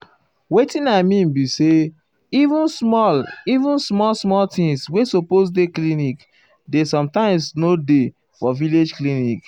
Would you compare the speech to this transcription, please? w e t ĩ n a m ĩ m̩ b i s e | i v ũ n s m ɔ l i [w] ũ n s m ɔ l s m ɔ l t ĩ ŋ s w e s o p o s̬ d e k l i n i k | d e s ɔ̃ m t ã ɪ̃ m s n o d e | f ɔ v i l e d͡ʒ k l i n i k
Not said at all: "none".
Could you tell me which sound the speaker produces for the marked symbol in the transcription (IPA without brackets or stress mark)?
v